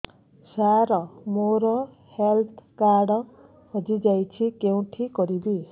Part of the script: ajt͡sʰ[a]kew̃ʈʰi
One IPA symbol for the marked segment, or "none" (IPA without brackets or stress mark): i